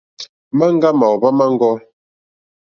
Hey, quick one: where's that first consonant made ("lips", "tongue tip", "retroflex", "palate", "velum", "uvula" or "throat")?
lips